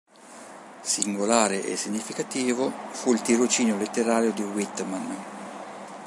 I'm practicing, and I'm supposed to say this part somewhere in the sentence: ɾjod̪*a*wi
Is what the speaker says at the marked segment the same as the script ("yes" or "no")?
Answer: no